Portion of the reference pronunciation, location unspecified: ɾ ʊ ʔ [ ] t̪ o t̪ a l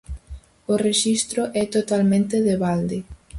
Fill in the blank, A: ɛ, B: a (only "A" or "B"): A